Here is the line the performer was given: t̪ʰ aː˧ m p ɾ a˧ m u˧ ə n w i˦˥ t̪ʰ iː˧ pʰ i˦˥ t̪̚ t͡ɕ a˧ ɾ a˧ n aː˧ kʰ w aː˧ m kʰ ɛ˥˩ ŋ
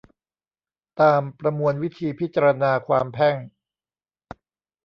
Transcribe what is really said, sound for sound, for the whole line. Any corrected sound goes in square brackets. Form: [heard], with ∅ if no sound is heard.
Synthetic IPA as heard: [t̪] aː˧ m p ɾ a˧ m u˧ ə n w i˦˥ t̪ʰ iː˧ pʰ i˦˥ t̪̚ t͡ɕ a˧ ɾ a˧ n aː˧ kʰ w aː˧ m [pʰ] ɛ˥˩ ŋ